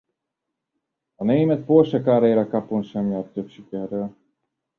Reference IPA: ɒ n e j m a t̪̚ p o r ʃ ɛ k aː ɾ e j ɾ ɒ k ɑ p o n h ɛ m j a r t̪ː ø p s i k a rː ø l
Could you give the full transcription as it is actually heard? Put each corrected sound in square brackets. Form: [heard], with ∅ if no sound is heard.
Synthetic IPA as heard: ɒ n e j m [ɛ] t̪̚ p o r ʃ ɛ k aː ɾ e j ɾ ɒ k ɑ p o n [ʃ] ɛ m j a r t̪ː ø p [ʃ] i k [ɛ] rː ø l

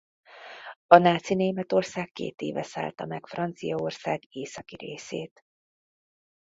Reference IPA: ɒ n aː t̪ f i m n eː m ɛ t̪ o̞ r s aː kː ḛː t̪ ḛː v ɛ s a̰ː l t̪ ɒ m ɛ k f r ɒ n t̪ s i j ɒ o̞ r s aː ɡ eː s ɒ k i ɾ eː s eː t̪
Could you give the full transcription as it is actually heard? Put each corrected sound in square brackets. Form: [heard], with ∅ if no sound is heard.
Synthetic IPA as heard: ɒ n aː t̪ [s] i [∅] n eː m ɛ t̪ o̞ r s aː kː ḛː t̪ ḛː v ɛ s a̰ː l t̪ ɒ m ɛ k f r ɒ n t̪ s i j ɒ o̞ r s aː ɡ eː s ɒ k i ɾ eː s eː t̪

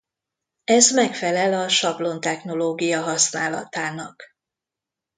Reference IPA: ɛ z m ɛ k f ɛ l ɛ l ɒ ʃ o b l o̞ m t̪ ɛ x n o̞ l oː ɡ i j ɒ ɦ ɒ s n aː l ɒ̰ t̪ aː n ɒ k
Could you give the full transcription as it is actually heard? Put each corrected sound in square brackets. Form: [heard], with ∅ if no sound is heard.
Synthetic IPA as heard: ɛ z m ɛ k f ɛ l ɛ l ɒ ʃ [ɒ] b l o̞ [n] t̪ ɛ x n o̞ l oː ɡ i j ɒ ɦ ɒ s n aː l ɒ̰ t̪ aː n ɒ k

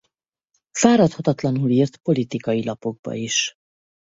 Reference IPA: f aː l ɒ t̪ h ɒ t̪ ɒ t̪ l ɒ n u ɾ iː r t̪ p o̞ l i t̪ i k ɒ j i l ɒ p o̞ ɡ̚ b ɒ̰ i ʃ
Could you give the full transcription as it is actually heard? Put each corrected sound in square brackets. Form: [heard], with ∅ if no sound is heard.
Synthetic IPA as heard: f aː [ɾ] ɒ t̪ h ɒ t̪ ɒ t̪ l ɒ n u [l] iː r t̪ p o̞ l i t̪ i k ɒ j i l ɒ p o̞ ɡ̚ b ɒ̰ i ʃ

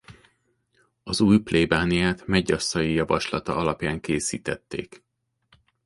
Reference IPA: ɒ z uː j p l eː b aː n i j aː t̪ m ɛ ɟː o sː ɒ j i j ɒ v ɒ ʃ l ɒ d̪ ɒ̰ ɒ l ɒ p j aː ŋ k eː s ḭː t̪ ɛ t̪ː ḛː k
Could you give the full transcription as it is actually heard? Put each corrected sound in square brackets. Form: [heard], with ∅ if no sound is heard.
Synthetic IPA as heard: ɒ z uː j p l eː b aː n i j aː t̪ m ɛ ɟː [ɒ] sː ɒ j i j ɒ v ɒ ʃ l ɒ [t̪] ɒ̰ ɒ l ɒ p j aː ŋ k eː s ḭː t̪ ɛ t̪ː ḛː k

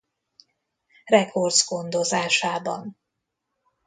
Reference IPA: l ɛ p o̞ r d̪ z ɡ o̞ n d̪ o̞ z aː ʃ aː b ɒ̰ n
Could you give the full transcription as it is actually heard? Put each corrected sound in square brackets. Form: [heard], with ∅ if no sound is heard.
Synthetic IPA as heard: [r] ɛ [k] o̞ r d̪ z ɡ o̞ n d̪ o̞ z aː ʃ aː b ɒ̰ n

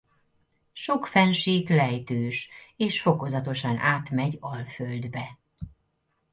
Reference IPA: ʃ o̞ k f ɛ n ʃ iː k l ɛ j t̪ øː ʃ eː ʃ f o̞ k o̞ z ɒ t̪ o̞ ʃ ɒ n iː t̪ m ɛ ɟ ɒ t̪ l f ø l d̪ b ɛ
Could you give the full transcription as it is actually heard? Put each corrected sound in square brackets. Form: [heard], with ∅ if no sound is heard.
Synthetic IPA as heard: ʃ o̞ k f ɛ n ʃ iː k l ɛ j t̪ øː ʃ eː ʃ f o̞ k o̞ z ɒ t̪ o̞ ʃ ɒ n [aː] t̪ m ɛ ɟ ɒ [∅] l f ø l d̪ b ɛ

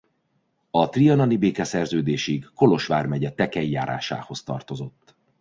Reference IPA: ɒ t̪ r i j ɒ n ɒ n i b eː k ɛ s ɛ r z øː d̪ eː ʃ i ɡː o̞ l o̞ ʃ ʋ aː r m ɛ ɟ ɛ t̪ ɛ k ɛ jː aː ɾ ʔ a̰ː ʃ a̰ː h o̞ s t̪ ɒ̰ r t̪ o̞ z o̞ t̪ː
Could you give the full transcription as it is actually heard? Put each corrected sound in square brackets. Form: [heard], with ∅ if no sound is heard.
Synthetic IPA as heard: ɒ t̪ r i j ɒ n ɒ n i b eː k ɛ s ɛ r z øː d̪ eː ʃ i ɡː o̞ l o̞ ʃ ʋ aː r m ɛ ɟ ɛ t̪ ɛ k ɛ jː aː ɾ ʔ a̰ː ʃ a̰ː h o̞ s t̪ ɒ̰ r t̪ o̞ z o̞ t̪ː

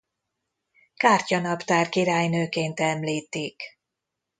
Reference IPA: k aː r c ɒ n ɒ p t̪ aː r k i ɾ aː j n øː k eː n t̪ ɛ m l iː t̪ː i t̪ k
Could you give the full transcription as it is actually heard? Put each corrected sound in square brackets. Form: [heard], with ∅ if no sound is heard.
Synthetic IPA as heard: k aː r c ɒ n ɒ p t̪ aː r k i ɾ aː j n øː k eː n t̪ ɛ m l iː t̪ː i [∅] k

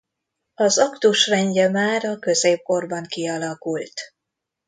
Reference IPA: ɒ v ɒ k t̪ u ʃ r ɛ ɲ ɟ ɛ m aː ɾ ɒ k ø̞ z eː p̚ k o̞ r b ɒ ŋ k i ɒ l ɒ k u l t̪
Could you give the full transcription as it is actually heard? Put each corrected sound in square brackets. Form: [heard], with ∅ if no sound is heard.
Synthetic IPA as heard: ɒ [z] ɒ k t̪ u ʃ r ɛ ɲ ɟ ɛ m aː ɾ ɒ k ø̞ z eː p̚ k o̞ r b ɒ ŋ k i ɒ l ɒ k u l t̪

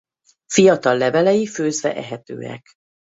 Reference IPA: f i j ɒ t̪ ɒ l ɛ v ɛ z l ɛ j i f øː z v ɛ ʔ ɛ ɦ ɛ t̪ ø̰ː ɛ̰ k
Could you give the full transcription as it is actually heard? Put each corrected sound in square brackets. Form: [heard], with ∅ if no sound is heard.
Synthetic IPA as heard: f i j ɒ t̪ ɒ [lː] ɛ v ɛ [∅] l ɛ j i f øː z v ɛ ʔ ɛ ɦ ɛ t̪ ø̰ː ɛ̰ k

